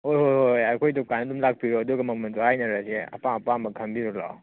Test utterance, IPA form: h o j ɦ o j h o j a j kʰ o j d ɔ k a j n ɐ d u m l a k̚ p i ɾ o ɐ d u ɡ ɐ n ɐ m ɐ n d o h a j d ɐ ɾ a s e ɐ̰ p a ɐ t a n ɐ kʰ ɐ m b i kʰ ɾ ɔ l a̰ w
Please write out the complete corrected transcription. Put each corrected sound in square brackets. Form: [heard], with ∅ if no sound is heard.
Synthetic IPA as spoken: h o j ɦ o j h o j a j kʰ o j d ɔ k a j n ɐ d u m l a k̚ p i ɾ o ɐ d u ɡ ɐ [m] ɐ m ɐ n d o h a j [n] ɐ ɾ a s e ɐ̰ p a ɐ [p] a [m] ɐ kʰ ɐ m b i [∅] ɾ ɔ l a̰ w